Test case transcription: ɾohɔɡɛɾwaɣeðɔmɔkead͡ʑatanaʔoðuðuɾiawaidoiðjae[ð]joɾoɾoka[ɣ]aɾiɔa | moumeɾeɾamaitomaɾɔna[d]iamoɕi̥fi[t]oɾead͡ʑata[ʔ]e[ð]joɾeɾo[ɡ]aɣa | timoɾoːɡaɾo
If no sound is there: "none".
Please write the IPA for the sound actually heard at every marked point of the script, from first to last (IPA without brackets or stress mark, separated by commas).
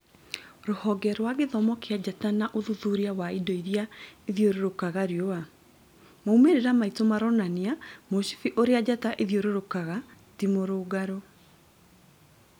ð, ɣ, n, ʔ, ʔ, ð, k